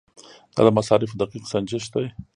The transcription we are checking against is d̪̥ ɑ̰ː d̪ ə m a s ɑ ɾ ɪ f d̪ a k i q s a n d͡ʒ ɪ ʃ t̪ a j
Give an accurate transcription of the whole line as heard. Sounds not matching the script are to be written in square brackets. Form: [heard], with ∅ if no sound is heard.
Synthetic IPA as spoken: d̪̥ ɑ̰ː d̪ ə m a s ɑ ɾ ɪ f d̪ a [q] i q s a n d͡ʒ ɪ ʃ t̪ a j

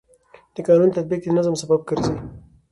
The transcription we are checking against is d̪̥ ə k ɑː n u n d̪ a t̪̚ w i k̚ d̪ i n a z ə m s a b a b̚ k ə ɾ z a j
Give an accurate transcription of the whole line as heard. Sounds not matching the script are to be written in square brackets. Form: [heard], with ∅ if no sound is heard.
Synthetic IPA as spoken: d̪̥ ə k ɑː n u n [t̪] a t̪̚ [b] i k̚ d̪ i n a z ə m s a b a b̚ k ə ɾ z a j

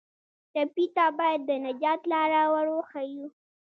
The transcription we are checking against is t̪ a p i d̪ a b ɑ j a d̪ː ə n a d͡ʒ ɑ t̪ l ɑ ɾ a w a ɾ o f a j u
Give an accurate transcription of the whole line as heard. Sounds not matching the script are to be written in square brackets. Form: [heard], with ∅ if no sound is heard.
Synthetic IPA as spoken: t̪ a p i [t̪] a b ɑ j a d̪ː ə n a d͡ʒ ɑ t̪ l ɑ ɾ a w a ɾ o [x] a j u

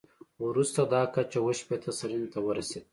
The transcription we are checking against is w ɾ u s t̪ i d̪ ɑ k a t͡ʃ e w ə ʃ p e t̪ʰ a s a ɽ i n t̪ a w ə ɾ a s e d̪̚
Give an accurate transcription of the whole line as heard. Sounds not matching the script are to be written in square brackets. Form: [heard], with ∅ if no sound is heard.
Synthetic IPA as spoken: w ɾ u s t̪ [a] d̪ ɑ k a t͡ʃ [a] w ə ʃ p e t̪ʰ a s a [ɾ] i n t̪ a w ə ɾ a s e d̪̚

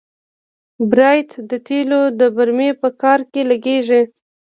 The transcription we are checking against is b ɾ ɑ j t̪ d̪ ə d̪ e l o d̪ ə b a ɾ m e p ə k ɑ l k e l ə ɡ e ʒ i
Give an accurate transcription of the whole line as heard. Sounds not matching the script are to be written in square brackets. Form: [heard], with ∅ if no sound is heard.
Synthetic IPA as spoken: b ɾ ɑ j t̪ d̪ ə [t̪] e l o d̪ ə b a ɾ m e p ə k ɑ [ɾ] k e l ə ɡ e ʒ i

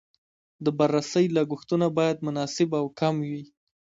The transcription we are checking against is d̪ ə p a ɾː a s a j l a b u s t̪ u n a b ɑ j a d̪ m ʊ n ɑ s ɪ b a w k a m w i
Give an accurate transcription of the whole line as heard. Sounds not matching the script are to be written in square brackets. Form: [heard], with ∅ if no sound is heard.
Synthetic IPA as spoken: d̪ ə [b] a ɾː a s [ə] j l a [ɡ] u [x] t̪ u n a b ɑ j a d̪ m ʊ n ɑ s ɪ b a w k a m w i

